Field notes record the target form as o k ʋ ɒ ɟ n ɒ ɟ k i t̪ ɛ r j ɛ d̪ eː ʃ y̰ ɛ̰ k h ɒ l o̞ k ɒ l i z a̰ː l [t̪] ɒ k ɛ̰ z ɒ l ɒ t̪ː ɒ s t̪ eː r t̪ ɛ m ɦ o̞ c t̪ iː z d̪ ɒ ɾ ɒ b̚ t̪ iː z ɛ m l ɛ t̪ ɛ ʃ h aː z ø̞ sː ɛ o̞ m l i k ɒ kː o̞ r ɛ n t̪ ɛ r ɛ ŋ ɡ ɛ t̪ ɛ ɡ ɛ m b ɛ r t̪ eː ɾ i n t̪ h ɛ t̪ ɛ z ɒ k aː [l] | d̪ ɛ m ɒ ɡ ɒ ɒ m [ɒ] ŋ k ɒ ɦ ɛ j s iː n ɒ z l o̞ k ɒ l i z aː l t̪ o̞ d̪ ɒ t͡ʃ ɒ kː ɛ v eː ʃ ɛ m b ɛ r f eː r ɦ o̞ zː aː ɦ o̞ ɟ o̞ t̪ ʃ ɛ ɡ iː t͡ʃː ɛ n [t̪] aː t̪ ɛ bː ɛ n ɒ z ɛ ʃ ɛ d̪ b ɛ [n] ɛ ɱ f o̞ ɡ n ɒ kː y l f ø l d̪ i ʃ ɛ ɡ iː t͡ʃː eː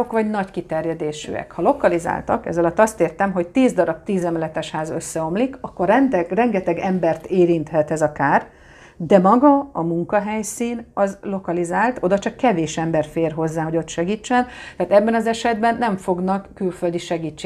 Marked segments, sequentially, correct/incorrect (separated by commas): correct, incorrect, incorrect, correct, incorrect